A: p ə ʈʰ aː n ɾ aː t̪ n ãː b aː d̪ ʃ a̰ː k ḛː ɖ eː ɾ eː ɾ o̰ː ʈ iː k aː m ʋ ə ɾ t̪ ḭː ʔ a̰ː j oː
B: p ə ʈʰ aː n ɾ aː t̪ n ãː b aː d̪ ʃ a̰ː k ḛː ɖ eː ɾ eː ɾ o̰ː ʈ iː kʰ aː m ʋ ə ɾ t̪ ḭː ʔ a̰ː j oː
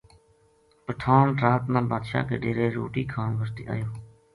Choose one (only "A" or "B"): B